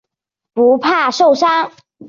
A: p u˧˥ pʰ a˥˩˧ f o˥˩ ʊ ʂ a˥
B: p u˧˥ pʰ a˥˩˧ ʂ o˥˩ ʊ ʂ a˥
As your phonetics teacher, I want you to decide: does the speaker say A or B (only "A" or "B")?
B